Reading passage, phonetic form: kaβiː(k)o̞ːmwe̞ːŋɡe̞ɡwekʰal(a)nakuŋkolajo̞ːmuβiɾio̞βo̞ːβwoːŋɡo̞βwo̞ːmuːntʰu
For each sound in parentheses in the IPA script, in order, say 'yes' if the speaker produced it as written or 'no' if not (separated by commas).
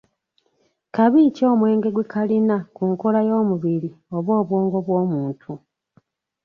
no, no